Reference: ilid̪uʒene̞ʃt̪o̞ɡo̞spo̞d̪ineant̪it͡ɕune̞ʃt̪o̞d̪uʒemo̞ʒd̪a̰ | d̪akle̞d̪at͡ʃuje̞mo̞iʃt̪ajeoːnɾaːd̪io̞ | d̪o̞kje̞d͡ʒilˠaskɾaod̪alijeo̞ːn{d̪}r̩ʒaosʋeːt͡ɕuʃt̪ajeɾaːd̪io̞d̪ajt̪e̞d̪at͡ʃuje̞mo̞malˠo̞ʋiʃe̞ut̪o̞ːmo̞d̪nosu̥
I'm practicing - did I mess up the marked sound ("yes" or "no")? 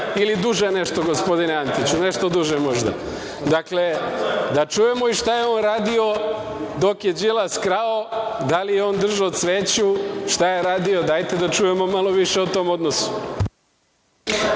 no